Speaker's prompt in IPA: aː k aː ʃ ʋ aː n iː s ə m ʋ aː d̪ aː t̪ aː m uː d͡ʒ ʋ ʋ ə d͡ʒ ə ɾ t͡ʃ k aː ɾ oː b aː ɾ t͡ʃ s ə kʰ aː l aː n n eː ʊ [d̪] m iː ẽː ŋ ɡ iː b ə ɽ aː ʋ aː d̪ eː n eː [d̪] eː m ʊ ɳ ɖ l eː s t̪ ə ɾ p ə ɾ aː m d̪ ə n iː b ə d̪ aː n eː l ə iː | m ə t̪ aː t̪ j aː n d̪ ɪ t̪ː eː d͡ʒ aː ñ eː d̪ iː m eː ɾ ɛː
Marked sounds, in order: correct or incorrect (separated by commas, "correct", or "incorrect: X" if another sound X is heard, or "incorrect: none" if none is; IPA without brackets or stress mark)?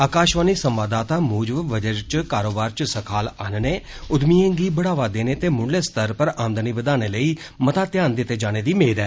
correct, incorrect: t̪